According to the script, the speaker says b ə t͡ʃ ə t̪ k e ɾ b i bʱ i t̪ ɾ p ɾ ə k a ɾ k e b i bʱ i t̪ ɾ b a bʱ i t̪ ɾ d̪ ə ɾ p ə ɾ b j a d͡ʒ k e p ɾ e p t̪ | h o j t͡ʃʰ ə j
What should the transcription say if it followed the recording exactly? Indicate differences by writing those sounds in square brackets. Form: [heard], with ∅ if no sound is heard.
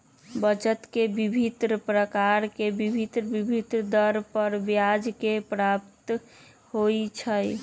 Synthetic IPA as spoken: b ə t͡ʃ ə t̪ k e [∅] b i bʱ i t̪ ɾ p ɾ ə k a ɾ k e b i bʱ i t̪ ɾ b [i] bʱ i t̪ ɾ d̪ ə ɾ p ə ɾ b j a d͡ʒ k e p ɾ [a] p t̪ | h o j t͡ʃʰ ə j